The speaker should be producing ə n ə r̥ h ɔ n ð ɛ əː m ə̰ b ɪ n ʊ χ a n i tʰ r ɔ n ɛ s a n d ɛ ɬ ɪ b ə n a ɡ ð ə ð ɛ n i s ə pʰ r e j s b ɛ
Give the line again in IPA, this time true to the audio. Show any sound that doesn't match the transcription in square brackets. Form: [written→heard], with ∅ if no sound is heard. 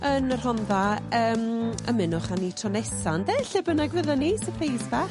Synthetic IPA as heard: ə n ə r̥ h ɔ n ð [ɛ→a] əː m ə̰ [b→m] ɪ n ʊ χ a n i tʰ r ɔ n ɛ s a n d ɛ ɬ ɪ b ə n a ɡ [ð→v] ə ð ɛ n i s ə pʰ r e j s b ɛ

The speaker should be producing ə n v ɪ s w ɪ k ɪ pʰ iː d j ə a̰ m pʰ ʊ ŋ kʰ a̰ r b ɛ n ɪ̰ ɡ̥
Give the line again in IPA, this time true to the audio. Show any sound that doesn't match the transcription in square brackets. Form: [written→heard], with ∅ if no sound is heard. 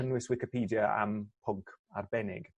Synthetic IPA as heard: ə n [v→w] ɪ s w ɪ k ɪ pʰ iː d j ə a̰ m pʰ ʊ ŋ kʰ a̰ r b ɛ n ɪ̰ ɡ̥

